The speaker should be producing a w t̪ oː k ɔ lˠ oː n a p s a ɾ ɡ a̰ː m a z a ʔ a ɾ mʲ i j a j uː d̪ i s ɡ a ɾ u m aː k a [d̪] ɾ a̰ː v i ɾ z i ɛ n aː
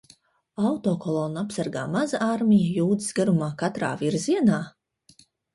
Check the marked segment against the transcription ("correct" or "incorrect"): incorrect